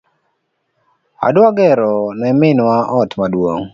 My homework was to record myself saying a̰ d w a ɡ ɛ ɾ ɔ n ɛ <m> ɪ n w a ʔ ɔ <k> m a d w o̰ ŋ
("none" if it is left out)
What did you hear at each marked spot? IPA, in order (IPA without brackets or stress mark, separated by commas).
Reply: m, t